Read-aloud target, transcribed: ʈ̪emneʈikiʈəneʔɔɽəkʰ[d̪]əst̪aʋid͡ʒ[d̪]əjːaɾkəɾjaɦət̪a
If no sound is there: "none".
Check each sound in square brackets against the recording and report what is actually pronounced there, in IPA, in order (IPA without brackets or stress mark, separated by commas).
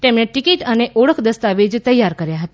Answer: d̪, t̪